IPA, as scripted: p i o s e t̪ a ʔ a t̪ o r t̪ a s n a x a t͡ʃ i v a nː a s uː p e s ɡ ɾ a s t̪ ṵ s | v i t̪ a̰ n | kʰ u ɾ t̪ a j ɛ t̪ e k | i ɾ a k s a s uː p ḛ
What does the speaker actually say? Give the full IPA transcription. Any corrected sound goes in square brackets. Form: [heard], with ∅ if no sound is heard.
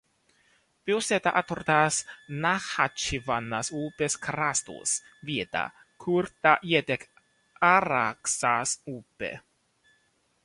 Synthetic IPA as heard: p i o s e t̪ a ʔ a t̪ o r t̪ a s n a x a t͡ʃ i v a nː a s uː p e s [k] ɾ a s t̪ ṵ s | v i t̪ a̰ [∅] | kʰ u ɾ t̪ a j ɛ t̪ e k | [a] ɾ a k s a s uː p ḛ